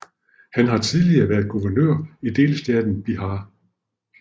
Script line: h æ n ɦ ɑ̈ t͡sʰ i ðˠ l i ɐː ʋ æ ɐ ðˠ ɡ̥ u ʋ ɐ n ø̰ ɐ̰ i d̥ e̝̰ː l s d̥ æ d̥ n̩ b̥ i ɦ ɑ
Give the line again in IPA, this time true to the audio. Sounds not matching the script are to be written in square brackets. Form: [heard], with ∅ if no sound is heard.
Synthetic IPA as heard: h æ n ɦ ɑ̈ t͡sʰ i ðˠ l i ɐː ʋ æ ɐ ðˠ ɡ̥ u ʋ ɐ n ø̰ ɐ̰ i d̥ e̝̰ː l s d̥ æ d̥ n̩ b̥ i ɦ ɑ